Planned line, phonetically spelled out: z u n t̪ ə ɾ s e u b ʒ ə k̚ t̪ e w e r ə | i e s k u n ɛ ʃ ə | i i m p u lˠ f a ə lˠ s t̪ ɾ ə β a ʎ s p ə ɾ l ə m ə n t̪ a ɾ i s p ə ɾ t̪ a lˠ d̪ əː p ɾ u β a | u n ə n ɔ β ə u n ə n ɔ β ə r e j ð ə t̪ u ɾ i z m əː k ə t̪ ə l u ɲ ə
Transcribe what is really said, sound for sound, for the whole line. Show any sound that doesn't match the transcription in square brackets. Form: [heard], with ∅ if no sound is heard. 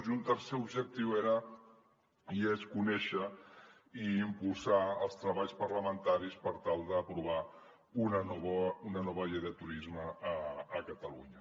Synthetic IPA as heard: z u n t̪ ə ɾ s e u b ʒ ə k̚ t̪ [i] w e [ɾ] ə | i e s k u n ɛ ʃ ə | i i m p u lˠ [s] a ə lˠ s t̪ ɾ ə β a ʎ s p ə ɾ l ə m ə n t̪ a ɾ i s p ə ɾ t̪ a lˠ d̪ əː p ɾ u β a | u n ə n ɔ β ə u n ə n ɔ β ə [ʎ] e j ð ə t̪ u ɾ i z m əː k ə t̪ ə l u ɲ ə